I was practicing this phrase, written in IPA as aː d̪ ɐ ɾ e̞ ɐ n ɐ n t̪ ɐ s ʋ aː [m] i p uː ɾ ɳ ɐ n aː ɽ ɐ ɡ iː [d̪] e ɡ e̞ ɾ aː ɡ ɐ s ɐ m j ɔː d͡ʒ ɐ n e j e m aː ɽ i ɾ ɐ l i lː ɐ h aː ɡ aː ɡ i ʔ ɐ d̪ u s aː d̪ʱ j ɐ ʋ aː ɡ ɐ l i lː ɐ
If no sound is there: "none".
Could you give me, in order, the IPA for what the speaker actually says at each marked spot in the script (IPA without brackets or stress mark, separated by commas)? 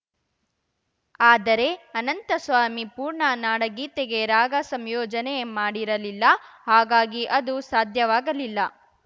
m, t̪